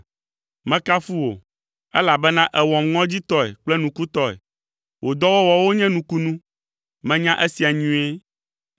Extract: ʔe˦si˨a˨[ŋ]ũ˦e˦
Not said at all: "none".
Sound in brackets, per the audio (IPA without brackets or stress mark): ɲ